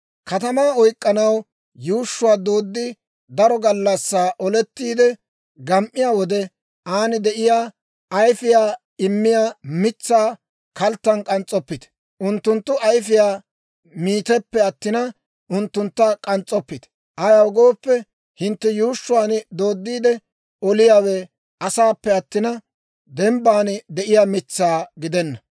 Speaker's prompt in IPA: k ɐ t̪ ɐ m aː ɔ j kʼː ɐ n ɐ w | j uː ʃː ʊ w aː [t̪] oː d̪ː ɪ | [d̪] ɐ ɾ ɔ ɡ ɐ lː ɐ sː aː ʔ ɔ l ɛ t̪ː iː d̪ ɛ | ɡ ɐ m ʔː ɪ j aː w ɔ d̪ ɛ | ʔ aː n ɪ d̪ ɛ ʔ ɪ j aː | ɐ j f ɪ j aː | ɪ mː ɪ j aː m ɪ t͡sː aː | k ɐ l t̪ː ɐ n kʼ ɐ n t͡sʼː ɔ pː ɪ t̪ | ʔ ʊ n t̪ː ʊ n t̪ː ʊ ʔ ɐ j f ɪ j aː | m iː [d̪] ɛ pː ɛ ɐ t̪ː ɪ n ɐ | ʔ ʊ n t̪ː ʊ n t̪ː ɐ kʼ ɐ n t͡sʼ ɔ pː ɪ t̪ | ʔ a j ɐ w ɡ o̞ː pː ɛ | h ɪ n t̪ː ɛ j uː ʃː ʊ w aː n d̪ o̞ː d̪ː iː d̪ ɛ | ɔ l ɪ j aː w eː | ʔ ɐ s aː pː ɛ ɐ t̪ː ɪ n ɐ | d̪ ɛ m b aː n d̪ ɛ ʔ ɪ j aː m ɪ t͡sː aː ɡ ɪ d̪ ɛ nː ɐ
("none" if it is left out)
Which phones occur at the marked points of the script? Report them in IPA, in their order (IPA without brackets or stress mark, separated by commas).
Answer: d̪, d̪, t̪